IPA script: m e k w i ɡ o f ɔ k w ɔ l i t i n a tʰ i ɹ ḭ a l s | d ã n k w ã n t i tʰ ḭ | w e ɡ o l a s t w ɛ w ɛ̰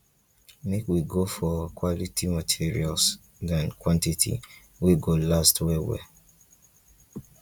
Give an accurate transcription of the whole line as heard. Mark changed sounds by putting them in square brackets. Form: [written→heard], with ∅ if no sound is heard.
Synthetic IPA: m e k w i ɡ o f ɔ k w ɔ l i t i [n→m] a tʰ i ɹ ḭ a l s | d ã n k w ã n t i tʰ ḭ | w e ɡ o l a s t w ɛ w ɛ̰